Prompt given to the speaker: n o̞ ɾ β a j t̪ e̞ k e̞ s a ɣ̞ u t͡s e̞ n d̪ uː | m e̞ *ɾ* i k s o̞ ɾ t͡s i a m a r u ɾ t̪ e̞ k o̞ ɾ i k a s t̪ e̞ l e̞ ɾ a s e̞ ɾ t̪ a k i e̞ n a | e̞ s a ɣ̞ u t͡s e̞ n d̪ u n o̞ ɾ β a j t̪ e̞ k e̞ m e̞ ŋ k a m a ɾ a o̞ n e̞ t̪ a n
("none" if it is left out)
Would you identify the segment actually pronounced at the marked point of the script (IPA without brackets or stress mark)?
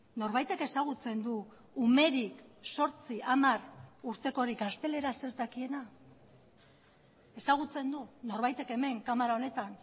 ɾ